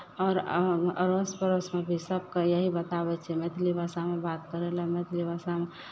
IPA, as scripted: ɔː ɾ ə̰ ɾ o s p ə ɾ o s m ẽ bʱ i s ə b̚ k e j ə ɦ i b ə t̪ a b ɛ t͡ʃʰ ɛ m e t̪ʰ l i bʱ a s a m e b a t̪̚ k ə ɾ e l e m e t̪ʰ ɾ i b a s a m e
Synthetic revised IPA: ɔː ɾ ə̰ ɾ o s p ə ɾ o s m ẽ bʱ i s ə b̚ k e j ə ɦ i b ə t̪ a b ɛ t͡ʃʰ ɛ m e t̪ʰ l i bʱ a s a m e b a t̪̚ k ə ɾ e l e m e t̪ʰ l i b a s a m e